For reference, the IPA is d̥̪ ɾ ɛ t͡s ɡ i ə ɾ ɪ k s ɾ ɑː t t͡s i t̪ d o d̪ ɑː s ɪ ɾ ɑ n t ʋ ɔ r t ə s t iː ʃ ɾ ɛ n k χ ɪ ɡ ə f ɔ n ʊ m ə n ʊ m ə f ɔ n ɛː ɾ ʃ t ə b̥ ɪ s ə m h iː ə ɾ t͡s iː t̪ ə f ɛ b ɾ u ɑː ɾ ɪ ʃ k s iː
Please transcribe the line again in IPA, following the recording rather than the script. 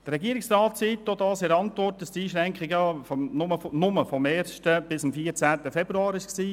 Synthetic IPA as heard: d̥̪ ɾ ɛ ɡ i ə ɾ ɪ k s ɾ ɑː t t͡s i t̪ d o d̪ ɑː s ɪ ɾ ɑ n t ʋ ɔ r t ə s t iː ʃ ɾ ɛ ŋ k χ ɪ ɡ ə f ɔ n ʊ m ə n ʊ m ə f ɔ m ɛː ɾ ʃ t ə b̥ ɪ s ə m f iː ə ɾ t͡s æː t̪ ə f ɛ b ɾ u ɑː ɾ ɪ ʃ k s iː